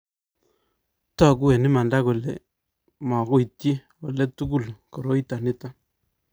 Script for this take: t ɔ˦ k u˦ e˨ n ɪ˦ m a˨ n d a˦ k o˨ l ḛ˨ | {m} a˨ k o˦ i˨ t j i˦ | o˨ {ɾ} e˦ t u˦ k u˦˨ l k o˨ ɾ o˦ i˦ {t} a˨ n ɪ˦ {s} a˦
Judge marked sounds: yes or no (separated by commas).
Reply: yes, no, yes, no